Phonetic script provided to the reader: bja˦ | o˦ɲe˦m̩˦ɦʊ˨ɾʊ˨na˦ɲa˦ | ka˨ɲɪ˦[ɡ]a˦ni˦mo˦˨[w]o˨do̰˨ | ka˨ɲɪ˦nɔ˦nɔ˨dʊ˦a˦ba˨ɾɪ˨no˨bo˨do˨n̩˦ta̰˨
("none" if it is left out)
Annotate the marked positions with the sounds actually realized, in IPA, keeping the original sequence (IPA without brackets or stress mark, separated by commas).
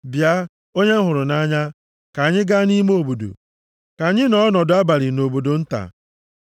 ɡ, b